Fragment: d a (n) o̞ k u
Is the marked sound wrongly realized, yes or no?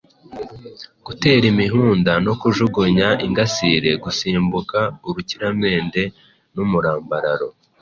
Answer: no